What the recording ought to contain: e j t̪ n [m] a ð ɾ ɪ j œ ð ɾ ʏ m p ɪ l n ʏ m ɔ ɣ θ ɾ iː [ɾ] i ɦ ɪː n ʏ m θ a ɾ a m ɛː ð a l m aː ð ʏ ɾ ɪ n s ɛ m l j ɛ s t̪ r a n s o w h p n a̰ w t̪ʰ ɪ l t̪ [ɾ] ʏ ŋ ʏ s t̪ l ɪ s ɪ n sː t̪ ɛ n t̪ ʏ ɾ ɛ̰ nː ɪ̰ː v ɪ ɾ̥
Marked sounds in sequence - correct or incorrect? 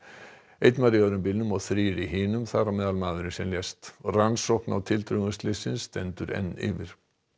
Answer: correct, correct, correct

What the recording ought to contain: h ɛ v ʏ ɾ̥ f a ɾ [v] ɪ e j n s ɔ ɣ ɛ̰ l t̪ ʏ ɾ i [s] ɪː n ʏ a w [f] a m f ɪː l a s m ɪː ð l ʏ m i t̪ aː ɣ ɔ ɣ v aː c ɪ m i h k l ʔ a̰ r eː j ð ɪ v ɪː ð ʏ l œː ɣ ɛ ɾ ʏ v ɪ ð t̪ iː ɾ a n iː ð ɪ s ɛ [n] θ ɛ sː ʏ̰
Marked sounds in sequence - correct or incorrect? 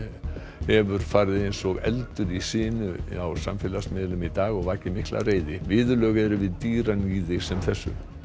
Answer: incorrect: ð, correct, incorrect: s, incorrect: m

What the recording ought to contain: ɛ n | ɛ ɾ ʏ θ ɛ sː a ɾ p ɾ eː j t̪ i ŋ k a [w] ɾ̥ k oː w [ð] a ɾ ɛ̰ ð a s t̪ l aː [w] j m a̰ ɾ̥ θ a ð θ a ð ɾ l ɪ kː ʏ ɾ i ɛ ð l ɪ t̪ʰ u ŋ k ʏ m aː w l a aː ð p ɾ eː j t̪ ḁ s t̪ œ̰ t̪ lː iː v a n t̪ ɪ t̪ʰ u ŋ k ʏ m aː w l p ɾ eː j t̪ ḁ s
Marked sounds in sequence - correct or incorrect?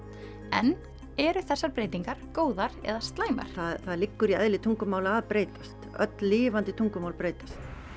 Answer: incorrect: none, correct, incorrect: none

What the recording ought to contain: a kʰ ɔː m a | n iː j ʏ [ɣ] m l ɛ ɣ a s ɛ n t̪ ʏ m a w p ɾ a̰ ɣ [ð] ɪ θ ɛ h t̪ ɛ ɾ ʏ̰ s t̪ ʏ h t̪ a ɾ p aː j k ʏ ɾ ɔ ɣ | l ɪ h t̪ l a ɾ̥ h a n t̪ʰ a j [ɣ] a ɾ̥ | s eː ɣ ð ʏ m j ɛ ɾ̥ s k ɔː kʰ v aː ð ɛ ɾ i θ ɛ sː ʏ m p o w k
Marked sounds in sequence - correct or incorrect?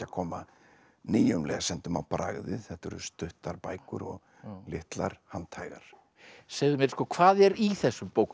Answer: incorrect: none, correct, correct

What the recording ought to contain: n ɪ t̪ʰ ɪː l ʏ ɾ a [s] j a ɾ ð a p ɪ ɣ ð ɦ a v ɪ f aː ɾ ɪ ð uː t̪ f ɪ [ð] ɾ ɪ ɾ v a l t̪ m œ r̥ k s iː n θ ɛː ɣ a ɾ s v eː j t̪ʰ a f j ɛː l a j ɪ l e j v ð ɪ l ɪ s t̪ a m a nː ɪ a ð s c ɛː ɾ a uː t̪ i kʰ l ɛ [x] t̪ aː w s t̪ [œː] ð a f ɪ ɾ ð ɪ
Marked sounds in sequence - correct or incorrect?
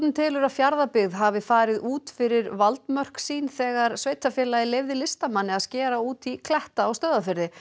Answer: incorrect: f, incorrect: none, incorrect: h, correct

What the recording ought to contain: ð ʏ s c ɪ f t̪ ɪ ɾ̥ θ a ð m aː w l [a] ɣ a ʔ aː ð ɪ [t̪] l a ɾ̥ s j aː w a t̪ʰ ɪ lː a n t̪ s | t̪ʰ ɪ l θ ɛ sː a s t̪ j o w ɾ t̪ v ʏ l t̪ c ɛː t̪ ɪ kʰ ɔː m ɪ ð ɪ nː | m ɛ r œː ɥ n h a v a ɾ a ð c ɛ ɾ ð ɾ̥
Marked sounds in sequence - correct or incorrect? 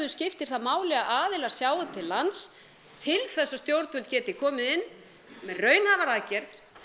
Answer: incorrect: ɛ, incorrect: none

